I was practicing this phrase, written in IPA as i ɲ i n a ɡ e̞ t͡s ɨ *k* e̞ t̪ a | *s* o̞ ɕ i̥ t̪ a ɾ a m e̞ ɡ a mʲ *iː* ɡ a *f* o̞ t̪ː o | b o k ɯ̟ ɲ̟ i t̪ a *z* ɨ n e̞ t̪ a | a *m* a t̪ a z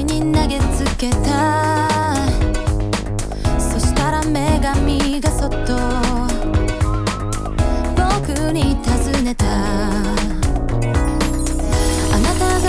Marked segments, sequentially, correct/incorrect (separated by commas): correct, correct, incorrect, incorrect, correct, incorrect